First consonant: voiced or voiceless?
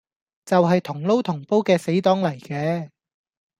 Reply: voiceless